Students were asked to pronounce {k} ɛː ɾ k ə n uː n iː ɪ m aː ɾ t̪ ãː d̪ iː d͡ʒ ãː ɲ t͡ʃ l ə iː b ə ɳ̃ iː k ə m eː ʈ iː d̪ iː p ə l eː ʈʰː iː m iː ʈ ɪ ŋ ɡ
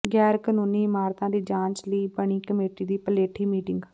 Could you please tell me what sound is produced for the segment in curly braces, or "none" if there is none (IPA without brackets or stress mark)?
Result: ɡ